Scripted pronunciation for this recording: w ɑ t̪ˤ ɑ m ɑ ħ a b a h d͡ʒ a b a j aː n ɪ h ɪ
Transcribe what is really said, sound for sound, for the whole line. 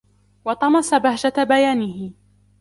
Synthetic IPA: w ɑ t̪ˤ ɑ m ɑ s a b a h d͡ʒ a b a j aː n ɪ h ɪ